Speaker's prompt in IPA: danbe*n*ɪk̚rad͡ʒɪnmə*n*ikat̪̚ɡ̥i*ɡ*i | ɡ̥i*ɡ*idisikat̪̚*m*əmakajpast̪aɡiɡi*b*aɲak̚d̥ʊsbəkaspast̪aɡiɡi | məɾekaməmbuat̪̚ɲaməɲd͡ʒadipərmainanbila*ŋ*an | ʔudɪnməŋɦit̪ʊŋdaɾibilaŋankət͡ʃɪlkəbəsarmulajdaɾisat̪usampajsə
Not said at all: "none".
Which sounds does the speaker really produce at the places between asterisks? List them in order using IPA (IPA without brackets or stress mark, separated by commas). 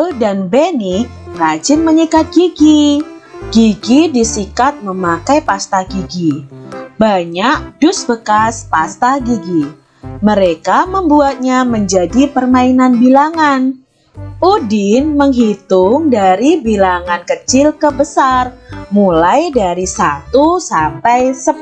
n, ɲ, ɡ, ɡ, m, b, ŋ